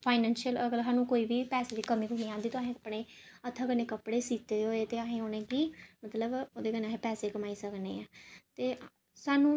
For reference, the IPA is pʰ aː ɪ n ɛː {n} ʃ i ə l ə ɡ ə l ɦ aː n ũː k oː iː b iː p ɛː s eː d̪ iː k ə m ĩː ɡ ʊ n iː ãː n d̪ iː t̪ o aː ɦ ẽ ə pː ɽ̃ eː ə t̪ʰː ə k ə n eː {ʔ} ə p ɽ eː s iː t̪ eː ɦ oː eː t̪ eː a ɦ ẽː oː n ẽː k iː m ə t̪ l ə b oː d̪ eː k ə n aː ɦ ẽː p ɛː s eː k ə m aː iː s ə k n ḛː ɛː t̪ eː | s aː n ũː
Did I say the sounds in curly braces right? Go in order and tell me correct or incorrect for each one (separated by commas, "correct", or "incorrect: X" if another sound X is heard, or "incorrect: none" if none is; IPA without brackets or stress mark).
correct, incorrect: k